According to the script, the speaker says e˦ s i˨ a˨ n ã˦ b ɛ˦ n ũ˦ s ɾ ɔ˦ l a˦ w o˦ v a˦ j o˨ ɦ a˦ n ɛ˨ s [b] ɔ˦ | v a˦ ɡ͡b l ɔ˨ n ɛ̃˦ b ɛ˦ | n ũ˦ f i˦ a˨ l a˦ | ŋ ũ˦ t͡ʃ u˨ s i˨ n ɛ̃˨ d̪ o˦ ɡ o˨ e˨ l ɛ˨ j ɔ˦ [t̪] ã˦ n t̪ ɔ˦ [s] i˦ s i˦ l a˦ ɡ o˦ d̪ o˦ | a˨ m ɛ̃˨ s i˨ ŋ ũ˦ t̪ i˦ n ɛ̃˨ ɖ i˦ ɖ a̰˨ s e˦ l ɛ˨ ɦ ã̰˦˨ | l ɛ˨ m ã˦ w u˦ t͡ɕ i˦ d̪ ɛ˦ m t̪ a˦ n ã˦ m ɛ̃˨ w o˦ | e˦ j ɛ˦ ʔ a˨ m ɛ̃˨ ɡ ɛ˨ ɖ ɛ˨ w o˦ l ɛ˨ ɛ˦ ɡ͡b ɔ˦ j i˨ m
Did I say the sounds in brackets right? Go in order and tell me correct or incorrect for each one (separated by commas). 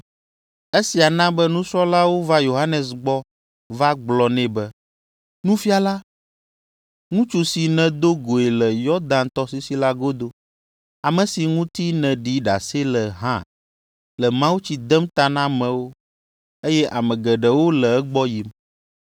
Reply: incorrect, incorrect, correct